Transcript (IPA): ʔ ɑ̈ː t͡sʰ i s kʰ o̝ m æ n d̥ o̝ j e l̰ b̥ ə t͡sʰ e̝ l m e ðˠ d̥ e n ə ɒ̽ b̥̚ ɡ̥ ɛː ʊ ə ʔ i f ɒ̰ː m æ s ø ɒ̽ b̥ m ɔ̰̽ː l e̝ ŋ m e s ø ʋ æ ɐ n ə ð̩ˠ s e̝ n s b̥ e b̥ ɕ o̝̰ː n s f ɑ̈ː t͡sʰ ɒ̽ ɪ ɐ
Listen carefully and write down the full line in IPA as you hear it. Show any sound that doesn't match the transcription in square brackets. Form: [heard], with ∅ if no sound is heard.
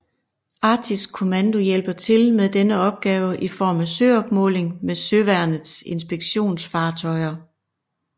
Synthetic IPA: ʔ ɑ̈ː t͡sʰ i s kʰ o̝ m æ n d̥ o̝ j e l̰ b̥ [ɐ] t͡sʰ e̝ l m e ðˠ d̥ e n ə ɒ̽ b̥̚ ɡ̥ ɛː ʊ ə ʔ i f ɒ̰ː m æ s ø ɒ̽ b̥ m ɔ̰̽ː l e̝ ŋ m e s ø ʋ æ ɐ n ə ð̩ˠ s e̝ n s b̥ e [ɡ̥] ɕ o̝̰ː n s f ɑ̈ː t͡sʰ ɒ̽ ɪ ɐ